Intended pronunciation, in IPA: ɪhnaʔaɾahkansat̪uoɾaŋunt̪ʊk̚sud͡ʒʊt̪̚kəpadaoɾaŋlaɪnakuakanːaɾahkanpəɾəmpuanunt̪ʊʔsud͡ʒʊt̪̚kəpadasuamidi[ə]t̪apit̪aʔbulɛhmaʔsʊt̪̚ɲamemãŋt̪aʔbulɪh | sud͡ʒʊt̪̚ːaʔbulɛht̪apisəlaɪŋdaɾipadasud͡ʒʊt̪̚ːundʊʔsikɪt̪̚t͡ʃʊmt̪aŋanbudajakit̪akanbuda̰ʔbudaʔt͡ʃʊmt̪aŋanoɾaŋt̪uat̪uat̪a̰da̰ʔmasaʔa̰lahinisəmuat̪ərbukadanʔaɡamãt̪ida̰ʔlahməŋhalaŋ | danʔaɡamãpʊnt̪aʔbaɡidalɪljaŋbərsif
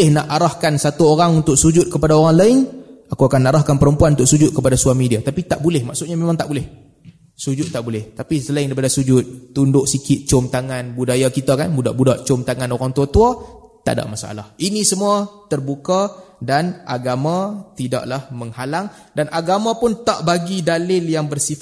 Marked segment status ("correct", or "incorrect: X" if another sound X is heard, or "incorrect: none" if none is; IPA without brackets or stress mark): incorrect: a